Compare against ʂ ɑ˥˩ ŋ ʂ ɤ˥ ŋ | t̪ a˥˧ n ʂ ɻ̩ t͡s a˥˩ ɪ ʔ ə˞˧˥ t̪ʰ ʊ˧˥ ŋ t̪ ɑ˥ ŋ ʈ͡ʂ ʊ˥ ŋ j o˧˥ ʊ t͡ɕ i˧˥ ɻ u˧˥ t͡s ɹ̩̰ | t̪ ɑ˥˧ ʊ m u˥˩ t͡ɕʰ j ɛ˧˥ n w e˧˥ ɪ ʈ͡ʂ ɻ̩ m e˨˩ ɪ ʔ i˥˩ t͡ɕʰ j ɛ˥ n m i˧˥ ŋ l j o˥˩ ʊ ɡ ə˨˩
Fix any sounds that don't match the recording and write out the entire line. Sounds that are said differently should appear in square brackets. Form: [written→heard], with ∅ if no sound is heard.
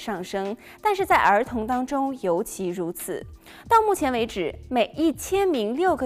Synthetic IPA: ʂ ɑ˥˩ ŋ ʂ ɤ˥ ŋ | t̪ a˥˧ n ʂ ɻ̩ t͡s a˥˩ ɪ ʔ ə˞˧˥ t̪ʰ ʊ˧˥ ŋ t̪ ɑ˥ ŋ ʈ͡ʂ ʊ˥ ŋ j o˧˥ ʊ [t͡ɕ→t͡ɕʰ] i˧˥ ɻ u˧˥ [t͡s→t͡sʰ] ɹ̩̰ | t̪ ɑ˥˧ ʊ m u˥˩ t͡ɕʰ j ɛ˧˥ n w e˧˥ ɪ ʈ͡ʂ ɻ̩ m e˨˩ ɪ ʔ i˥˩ t͡ɕʰ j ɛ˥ n m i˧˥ ŋ l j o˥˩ ʊ ɡ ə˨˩